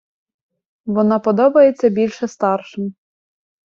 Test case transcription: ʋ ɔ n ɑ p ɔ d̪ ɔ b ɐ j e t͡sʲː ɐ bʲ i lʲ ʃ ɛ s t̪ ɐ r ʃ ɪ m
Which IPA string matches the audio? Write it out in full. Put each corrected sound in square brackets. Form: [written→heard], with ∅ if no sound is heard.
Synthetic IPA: ʋ ɔ n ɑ p ɔ d̪ ɔ b ɐ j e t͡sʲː ɐ bʲ i lʲ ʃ ɛ s t̪ [ɐ→ɑ] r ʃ ɪ m

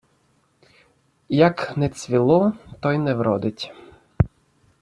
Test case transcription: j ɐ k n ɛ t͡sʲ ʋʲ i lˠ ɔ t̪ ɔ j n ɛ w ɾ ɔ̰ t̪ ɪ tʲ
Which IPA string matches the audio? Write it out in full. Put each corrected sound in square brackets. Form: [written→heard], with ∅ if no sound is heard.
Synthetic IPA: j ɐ k n ɛ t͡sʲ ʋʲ i lˠ ɔ t̪ ɔ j n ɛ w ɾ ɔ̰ [t̪→d̪] ɪ tʲ

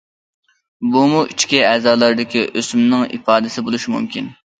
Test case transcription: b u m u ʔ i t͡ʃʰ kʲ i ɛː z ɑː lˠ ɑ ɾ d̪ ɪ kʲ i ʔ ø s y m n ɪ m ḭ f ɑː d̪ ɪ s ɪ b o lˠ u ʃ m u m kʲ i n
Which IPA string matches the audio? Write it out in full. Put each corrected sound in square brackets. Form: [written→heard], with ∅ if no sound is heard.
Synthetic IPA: b u m u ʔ i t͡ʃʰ kʲ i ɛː z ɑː lˠ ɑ ɾ d̪ ɪ kʲ i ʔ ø s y m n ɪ [m→ŋ] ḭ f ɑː d̪ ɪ s ɪ b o lˠ u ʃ m u m kʲ i n

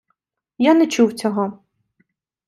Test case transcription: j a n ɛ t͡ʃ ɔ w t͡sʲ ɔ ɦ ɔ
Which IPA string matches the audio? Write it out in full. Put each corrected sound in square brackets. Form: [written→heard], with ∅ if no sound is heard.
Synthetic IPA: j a n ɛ t͡ʃ [ɔ→u] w t͡sʲ ɔ ɦ ɔ

